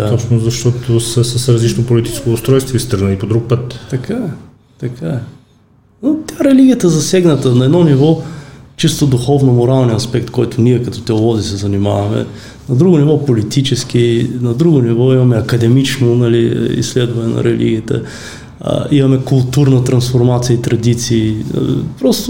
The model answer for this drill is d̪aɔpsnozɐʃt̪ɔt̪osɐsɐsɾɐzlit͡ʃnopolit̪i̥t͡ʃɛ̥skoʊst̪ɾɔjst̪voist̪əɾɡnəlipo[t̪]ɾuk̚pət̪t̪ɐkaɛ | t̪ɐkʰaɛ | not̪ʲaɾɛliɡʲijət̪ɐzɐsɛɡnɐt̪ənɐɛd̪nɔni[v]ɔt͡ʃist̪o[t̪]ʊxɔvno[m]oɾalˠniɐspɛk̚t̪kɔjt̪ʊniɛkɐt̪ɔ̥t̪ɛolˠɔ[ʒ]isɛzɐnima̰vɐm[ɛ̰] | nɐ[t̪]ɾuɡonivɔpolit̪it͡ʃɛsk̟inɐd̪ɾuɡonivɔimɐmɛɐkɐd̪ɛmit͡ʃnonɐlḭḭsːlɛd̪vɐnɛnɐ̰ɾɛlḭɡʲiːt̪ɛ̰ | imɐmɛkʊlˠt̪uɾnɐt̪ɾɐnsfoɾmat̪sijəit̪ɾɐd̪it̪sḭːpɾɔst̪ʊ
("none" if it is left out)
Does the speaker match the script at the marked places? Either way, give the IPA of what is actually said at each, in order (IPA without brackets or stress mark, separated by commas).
d̪, v, d̪, m, z, ɛ̰, d̪